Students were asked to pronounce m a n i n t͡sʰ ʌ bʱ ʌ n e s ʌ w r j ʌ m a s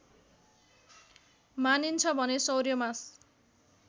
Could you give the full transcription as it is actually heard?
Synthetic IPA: m a n i n t͡sʰ ʌ bʱ ʌ n e s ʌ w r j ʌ m a s